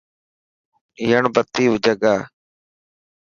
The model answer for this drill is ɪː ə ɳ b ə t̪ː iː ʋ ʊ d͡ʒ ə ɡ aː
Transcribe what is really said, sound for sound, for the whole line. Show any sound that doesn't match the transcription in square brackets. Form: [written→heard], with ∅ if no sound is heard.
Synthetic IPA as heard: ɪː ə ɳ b ə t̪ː iː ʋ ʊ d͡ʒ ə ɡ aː